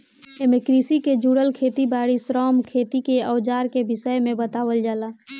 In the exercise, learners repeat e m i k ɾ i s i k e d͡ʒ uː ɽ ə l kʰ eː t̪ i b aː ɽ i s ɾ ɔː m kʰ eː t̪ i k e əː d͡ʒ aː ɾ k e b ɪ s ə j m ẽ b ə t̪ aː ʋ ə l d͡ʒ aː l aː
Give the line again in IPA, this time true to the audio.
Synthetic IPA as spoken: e m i k ɾ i s i k e d͡ʒ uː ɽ ə l kʰ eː t̪ i b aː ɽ i s ɾ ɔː m kʰ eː t̪ i k e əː d͡ʒ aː ɾ k e b ɪ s ə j m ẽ b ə t̪ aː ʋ ə l d͡ʒ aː l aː